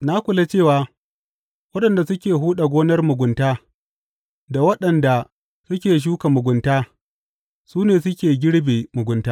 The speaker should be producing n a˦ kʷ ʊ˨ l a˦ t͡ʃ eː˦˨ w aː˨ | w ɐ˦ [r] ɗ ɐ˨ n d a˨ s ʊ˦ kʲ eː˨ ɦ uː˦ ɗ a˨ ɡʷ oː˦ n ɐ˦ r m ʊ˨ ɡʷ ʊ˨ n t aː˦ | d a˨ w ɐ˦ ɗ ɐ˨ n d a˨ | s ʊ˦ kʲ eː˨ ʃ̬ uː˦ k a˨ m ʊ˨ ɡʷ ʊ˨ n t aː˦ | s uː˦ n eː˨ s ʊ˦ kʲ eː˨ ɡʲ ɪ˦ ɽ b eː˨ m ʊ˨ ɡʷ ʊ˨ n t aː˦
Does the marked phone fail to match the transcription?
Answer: yes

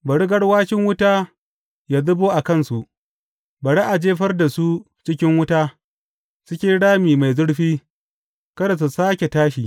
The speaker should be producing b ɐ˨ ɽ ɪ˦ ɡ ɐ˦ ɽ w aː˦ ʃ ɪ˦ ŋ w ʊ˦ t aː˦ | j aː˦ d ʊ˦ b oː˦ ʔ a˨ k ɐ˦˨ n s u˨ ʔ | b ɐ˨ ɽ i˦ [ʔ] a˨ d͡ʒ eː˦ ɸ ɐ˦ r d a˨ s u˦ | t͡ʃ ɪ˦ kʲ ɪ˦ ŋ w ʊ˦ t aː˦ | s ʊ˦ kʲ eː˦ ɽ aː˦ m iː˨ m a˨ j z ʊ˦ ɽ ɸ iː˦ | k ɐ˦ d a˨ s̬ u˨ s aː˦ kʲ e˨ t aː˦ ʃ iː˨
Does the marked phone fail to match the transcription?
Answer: no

